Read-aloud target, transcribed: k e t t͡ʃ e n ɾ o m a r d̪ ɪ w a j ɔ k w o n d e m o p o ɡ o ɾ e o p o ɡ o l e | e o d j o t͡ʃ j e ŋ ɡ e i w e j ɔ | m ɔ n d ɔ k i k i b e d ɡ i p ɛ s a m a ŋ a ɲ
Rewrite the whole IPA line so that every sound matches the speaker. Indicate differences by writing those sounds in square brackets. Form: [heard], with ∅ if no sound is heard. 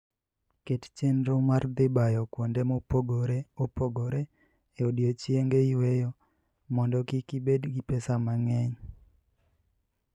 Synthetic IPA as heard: k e t t͡ʃ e n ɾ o m a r d̪ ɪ [b] a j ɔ k w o n d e m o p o ɡ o ɾ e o p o ɡ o [ɾ] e | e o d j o t͡ʃ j e ŋ ɡ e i w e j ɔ | m ɔ n d ɔ k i k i b e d ɡ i p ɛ s a m a ŋ [ɛ] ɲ